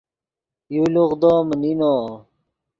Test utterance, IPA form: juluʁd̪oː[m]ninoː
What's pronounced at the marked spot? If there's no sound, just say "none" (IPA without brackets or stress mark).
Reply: m